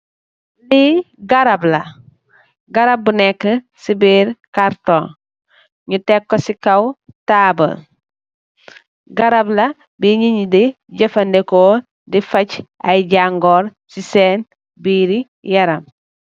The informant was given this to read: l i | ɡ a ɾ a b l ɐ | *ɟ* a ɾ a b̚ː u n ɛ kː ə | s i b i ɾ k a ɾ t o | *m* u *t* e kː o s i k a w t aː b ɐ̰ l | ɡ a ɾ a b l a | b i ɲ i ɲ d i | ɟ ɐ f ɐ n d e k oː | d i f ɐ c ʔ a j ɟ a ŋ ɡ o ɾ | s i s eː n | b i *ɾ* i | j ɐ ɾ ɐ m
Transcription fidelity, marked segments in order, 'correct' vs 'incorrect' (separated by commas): incorrect, incorrect, correct, correct